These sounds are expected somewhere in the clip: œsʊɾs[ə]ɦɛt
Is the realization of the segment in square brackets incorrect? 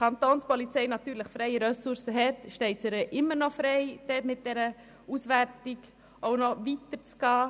no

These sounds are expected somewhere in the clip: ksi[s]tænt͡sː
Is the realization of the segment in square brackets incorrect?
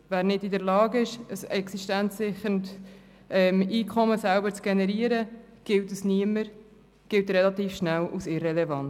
yes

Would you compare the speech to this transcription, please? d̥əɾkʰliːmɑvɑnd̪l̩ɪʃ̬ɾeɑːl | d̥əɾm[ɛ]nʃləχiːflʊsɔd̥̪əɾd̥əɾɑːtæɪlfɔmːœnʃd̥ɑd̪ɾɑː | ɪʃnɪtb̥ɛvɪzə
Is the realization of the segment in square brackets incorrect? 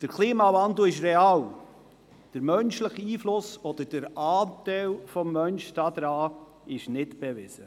yes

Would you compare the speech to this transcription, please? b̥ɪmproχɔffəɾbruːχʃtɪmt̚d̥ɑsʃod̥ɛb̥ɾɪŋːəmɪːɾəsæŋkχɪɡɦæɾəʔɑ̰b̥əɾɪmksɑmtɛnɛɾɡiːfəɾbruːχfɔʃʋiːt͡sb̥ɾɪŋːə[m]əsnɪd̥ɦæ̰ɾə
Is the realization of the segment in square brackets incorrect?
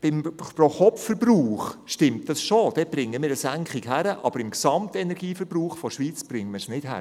no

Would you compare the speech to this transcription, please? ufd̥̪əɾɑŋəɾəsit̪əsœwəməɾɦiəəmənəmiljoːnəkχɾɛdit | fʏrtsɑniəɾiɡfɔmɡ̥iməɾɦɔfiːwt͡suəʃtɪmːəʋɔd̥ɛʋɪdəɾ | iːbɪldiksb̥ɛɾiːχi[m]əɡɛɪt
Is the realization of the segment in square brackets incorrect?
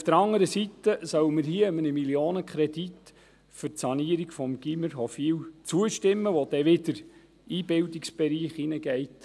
yes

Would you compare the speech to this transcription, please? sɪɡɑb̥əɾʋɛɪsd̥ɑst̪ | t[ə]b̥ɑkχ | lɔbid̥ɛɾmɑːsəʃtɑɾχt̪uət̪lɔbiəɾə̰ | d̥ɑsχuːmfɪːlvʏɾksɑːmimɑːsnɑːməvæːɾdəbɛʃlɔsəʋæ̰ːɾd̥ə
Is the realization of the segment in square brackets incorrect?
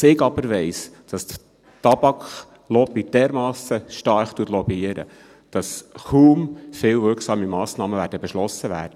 yes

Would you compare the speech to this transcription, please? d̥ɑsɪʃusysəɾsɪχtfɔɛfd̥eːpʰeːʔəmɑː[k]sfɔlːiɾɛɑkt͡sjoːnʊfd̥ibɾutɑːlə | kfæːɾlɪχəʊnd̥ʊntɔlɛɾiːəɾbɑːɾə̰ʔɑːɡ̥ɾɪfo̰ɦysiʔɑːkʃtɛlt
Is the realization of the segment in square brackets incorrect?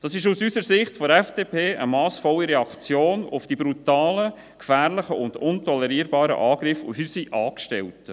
yes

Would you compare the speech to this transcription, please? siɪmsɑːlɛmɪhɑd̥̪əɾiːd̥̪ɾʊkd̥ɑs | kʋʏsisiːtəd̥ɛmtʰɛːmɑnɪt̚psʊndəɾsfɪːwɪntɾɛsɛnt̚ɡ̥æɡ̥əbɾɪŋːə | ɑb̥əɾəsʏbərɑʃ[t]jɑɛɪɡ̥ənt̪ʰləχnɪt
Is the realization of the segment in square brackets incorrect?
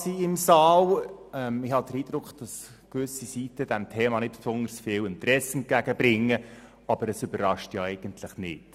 no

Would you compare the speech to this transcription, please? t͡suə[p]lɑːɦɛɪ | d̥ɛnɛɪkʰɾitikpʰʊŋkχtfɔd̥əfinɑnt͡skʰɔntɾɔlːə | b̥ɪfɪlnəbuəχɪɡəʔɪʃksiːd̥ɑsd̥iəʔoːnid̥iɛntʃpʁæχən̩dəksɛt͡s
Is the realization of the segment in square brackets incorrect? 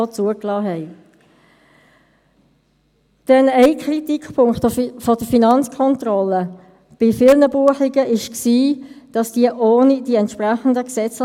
yes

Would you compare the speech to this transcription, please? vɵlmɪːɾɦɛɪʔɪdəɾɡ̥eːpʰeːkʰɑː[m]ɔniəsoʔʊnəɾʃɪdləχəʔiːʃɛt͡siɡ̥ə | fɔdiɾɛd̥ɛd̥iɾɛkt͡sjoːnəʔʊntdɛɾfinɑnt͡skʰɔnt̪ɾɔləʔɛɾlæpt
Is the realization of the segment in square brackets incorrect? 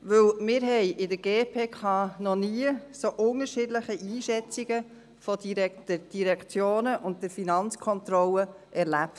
yes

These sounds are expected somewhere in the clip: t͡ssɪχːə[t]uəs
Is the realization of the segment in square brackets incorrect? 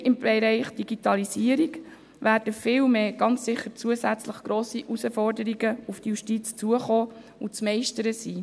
yes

